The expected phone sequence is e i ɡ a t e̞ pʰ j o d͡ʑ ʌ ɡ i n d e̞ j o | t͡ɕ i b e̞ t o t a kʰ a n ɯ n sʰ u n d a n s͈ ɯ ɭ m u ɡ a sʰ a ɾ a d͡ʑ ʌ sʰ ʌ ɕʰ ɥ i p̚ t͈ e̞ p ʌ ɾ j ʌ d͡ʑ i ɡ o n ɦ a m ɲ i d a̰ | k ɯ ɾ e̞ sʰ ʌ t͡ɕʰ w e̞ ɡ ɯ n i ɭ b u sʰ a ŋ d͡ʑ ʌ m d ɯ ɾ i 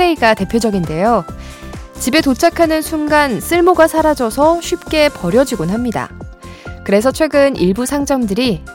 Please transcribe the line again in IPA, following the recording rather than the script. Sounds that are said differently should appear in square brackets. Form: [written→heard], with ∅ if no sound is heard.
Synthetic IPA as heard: e i ɡ a t e̞ pʰ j o d͡ʑ ʌ ɡ i n d e̞ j o | t͡ɕ i b e̞ t o [t→t͡ɕʰ] a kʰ a n ɯ n sʰ u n [d→ɡ] a n s͈ ɯ ɭ m [u→o] ɡ a sʰ a ɾ a d͡ʑ ʌ sʰ ʌ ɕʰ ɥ i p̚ [t͈→k͈] e̞ p ʌ ɾ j ʌ d͡ʑ i ɡ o n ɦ a m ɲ i d a̰ | k ɯ ɾ e̞ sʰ ʌ t͡ɕʰ w e̞ ɡ ɯ n i ɭ b u sʰ a ŋ d͡ʑ ʌ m d ɯ ɾ i